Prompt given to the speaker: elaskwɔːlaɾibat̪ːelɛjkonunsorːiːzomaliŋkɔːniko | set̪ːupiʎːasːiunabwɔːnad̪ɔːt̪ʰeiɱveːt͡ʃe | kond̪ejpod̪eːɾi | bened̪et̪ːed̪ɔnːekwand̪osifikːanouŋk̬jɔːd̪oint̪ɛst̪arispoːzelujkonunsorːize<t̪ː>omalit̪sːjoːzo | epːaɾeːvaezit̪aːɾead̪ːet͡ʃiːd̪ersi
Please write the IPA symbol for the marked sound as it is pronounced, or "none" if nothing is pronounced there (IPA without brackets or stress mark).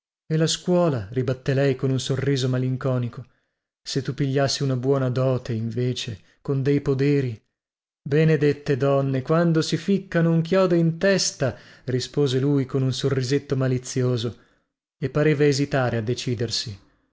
t̪ː